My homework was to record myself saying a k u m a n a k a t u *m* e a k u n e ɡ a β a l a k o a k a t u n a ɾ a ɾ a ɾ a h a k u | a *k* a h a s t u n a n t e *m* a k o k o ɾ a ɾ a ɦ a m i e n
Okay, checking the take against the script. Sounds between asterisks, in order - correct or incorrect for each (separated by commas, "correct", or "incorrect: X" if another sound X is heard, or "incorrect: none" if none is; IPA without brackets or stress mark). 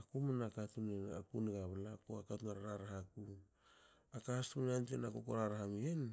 incorrect: n, correct, incorrect: n